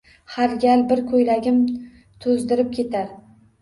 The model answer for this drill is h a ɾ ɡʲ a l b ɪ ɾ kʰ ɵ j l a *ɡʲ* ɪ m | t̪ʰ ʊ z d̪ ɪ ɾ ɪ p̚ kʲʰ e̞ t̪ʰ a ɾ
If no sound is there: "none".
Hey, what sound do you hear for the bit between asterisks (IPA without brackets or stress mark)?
ɡʲ